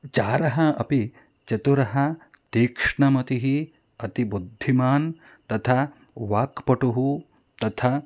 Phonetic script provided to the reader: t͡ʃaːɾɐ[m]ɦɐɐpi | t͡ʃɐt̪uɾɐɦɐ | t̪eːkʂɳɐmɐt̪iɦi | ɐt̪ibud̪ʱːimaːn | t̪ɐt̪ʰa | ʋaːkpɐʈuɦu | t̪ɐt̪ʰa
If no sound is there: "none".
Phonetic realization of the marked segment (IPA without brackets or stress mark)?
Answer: none